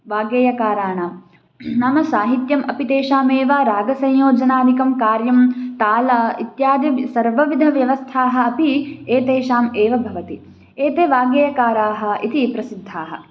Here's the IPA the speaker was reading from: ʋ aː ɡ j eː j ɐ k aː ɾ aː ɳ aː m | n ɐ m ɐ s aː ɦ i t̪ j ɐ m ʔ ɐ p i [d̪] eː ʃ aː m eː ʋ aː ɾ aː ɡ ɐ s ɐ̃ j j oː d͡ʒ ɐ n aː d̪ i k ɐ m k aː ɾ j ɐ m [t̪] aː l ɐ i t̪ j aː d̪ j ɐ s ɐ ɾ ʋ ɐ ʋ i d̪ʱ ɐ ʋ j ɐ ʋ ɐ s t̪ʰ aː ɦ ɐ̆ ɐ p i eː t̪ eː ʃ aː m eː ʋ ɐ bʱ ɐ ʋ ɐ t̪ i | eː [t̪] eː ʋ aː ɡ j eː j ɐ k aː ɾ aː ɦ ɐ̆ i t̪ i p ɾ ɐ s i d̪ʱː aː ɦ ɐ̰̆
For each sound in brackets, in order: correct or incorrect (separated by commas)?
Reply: incorrect, correct, correct